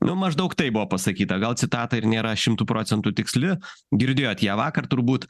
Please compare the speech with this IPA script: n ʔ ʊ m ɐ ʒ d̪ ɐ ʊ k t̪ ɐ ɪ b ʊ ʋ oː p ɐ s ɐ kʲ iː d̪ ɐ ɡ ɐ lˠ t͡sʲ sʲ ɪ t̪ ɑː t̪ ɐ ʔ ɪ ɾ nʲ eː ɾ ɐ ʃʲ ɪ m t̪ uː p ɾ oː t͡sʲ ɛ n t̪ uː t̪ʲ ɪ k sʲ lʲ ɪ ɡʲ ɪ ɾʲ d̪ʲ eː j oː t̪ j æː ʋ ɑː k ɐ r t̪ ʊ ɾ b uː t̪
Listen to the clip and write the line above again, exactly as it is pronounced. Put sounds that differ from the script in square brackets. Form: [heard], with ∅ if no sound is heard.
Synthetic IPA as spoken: n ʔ ʊ m ɐ ʒ d̪ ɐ ʊ k t̪ ɐ ɪ b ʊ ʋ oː p ɐ s ɐ kʲ iː [t̪] ɐ ɡ ɐ lˠ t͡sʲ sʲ ɪ t̪ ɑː t̪ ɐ [∅] ɪ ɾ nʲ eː ɾ ɐ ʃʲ ɪ m t̪ uː p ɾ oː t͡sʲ ɛ n t̪ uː t̪ʲ ɪ k sʲ lʲ ɪ ɡʲ ɪ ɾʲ d̪ʲ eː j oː t̪ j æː ʋ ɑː k ɐ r t̪ ʊ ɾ b uː t̪